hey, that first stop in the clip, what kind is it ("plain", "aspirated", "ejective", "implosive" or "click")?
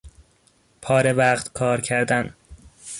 aspirated